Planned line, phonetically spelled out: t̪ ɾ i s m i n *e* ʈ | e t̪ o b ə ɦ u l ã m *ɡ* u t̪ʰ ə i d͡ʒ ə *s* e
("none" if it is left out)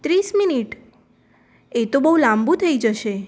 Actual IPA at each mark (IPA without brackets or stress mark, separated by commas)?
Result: i, b, ʃ